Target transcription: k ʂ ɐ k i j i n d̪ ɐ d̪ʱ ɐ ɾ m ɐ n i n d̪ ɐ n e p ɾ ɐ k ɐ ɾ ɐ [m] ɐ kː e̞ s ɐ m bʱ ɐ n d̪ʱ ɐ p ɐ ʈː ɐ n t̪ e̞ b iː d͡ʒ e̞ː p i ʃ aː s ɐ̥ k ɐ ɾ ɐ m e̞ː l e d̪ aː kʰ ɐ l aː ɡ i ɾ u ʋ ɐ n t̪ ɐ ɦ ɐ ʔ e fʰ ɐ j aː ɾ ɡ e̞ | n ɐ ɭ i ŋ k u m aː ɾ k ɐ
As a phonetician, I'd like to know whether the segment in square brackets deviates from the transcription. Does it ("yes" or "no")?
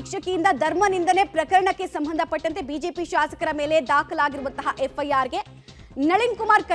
yes